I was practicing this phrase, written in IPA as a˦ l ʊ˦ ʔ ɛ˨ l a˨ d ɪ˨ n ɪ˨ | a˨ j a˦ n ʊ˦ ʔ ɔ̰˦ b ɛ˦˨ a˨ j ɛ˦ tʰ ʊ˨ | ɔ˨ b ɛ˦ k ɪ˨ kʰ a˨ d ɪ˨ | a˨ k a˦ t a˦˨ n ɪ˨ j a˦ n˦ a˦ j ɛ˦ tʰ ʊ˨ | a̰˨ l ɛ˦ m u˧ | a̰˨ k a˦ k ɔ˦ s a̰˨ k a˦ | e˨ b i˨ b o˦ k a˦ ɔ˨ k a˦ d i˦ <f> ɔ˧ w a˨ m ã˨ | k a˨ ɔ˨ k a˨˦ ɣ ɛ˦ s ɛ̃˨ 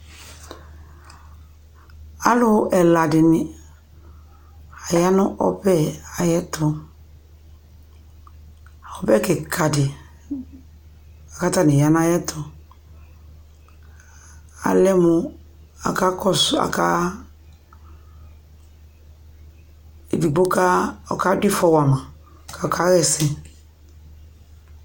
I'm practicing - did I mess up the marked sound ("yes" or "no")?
no